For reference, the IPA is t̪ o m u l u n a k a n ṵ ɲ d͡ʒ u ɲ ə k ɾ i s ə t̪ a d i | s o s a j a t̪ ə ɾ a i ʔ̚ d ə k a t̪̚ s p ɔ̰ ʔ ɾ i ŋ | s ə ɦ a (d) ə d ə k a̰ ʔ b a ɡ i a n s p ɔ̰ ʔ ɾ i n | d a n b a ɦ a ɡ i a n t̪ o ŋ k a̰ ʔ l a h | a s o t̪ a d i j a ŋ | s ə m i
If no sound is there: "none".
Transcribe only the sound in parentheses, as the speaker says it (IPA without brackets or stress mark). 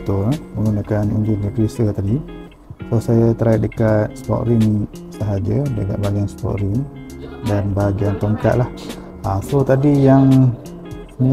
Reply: d͡ʒ